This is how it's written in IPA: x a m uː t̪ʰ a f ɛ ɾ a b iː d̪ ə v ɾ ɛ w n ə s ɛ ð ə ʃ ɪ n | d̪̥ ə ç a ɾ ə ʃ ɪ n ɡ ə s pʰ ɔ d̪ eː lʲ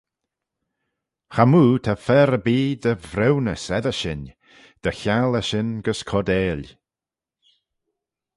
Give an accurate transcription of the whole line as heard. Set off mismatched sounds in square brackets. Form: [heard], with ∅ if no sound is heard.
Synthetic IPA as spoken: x a m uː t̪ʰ a f ɛ ɾ [ə] b iː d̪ ə v ɾ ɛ w n ə s ɛ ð ə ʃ ɪ n | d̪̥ ə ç a [l] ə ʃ ɪ n ɡ ə s [kʰ] ɔ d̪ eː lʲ

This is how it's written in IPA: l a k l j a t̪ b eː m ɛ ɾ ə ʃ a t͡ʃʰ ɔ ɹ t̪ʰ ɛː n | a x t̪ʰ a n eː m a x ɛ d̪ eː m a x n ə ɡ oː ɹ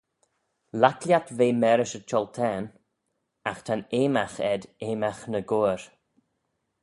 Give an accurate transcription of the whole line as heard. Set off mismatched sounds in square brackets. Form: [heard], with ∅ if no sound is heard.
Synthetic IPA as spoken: l a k l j a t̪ [v] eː m ɛ ɾ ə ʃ [ə] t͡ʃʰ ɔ [l] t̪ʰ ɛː n | a x t̪ʰ a n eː m a x ɛ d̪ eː m a x n ə ɡ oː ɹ

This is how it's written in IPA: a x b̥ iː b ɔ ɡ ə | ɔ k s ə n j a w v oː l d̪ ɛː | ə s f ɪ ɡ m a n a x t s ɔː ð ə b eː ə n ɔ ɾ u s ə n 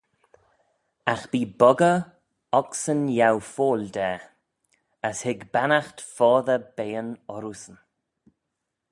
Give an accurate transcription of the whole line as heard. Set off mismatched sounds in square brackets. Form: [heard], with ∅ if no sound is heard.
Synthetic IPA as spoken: a x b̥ iː b ɔ ɡ ə | ɔ k s ə n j a w [f] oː l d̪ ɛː | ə s [h] ɪ ɡ [b] a n a x t [f] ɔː ð ə b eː ə n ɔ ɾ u s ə n

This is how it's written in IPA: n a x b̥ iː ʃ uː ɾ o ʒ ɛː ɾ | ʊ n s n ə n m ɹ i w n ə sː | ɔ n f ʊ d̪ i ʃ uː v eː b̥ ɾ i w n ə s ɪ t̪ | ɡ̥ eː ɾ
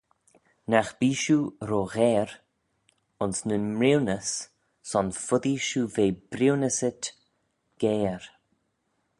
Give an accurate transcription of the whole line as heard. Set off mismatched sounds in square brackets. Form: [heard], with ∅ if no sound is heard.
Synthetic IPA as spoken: n a x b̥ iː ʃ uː ɾ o [ɣ] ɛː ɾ | ʊ n s n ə n m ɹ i w n ə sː | ɔ n f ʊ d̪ i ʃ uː v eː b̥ ɾ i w n ə s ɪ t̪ | ɡ̥ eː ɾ

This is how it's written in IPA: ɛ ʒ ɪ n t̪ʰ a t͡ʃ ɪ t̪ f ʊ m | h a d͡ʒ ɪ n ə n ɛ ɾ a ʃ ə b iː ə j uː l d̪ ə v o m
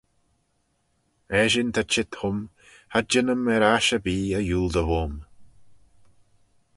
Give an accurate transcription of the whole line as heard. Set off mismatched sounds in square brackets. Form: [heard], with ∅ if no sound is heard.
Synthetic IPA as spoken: ɛ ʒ ɪ n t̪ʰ a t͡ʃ ɪ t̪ [h] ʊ m | h a d͡ʒ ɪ n ə [m] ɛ ɾ a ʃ ə b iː ə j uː l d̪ ə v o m

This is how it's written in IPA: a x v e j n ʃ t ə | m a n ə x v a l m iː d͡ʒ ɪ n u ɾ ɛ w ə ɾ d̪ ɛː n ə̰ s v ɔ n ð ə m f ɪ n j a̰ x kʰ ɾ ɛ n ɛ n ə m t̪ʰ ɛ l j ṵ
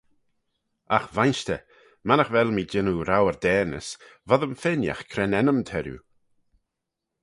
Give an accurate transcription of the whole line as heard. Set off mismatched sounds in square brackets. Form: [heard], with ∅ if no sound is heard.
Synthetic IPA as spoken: a x v [a] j n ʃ t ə | m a n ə x v [ɛ] l m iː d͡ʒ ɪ n u ɾ [a] w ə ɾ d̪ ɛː n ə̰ s v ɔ [∅] ð ə m f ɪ n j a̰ x kʰ ɾ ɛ n ɛ n ə m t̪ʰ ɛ [ɾ] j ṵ

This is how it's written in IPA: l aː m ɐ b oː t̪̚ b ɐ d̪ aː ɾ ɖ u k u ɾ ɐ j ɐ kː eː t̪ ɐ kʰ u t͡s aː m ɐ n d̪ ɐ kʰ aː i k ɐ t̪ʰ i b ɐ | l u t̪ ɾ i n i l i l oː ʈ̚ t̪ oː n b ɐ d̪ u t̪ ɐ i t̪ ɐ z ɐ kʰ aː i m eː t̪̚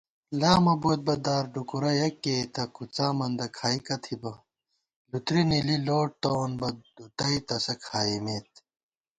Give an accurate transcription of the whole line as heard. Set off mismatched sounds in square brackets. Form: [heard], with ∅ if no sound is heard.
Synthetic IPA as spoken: l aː m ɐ b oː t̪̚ b ɐ d̪ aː ɾ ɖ u k u ɾ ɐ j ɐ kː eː t̪ ɐ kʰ u t͡s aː m ɐ n d̪ ɐ kʰ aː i k ɐ t̪ʰ i b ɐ | l u t̪ ɾ i n i l i l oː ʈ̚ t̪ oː n b ɐ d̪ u t̪ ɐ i t̪ ɐ [s] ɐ kʰ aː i m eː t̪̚

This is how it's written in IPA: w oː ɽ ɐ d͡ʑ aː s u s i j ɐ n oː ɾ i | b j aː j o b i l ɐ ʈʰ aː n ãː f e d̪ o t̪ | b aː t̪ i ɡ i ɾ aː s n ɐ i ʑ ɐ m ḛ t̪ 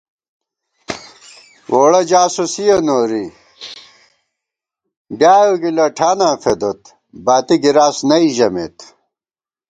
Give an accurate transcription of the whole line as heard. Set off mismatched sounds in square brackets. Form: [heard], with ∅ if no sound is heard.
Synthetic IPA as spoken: w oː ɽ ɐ d͡ʑ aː s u s i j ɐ n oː ɾ i | b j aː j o [ɡ] i l ɐ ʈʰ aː n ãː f e d̪ o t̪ | b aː t̪ i ɡ i ɾ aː s n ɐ i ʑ ɐ m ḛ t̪

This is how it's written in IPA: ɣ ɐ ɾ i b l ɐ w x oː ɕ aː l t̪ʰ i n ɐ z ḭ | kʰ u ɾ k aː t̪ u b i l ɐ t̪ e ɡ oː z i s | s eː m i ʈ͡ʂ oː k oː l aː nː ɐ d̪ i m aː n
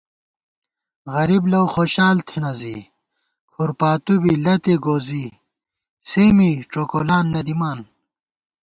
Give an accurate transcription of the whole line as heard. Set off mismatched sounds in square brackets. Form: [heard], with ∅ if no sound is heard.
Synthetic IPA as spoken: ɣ ɐ ɾ i b l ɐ w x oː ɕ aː l t̪ʰ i n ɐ z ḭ | kʰ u ɾ [p] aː t̪ u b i l ɐ t̪ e ɡ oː z i [∅] | s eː m i ʈ͡ʂ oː k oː l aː nː ɐ d̪ i m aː n

